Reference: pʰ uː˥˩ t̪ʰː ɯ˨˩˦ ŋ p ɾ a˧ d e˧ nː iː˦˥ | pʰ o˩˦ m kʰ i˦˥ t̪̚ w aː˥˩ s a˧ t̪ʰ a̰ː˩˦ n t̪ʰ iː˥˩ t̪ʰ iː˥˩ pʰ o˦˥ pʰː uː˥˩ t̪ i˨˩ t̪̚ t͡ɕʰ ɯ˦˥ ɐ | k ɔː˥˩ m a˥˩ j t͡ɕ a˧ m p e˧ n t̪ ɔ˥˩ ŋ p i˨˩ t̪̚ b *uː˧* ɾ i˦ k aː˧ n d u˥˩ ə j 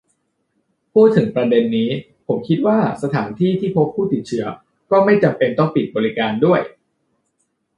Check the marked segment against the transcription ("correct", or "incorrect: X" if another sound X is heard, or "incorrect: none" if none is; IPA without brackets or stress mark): incorrect: ɔː˧